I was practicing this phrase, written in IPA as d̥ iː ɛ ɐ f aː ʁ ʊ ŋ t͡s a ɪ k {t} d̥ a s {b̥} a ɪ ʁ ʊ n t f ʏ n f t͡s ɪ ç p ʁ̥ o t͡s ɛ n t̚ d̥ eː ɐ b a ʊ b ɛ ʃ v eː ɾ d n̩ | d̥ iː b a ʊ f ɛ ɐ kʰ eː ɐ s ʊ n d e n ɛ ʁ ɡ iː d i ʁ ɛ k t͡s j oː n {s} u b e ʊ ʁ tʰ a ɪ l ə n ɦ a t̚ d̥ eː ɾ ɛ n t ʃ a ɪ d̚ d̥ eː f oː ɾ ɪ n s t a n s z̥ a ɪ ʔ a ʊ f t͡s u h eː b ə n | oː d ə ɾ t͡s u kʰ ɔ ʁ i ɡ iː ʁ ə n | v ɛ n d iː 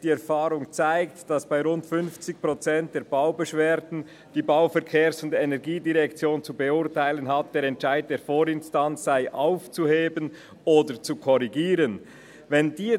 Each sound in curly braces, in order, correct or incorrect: correct, correct, incorrect: t͡s

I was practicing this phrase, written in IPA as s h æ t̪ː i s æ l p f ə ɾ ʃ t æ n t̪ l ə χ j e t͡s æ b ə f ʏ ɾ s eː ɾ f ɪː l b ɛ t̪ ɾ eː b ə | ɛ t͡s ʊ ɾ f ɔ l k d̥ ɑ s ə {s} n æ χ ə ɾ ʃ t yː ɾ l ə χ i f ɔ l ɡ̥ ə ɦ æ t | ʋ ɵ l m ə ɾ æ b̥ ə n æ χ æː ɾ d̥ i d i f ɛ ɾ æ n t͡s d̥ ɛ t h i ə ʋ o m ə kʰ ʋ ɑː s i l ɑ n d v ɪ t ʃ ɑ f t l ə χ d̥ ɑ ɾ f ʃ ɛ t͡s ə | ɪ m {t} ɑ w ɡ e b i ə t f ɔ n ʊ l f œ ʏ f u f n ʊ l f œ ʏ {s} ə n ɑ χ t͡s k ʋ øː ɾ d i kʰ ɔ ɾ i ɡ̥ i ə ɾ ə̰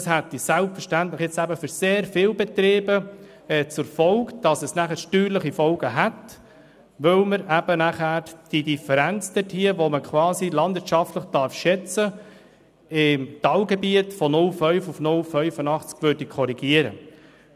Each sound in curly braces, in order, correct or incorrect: correct, correct, incorrect: f

